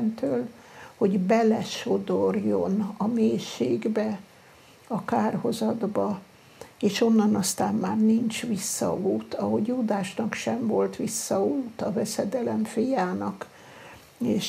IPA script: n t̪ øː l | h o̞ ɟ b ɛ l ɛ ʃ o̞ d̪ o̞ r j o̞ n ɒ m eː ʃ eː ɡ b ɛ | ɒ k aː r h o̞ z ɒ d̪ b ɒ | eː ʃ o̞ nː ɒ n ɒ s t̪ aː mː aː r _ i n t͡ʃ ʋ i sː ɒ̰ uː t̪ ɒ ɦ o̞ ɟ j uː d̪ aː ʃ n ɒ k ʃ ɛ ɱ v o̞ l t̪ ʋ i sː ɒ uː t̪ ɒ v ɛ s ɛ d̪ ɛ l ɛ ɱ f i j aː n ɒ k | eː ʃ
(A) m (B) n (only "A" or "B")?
B